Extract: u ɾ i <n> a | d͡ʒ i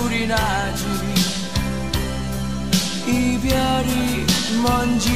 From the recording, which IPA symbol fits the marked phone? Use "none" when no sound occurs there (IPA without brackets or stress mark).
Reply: n